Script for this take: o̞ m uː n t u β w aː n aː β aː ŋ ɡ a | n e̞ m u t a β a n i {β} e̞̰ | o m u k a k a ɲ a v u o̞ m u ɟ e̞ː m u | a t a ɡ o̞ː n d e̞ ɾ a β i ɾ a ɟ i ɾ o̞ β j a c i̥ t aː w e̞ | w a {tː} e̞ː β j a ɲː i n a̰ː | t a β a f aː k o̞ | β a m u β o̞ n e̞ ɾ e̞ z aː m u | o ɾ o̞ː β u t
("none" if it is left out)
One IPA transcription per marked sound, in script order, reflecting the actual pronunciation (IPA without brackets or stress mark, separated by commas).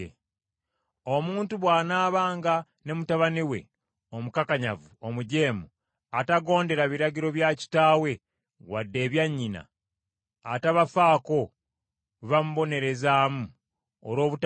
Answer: w, dː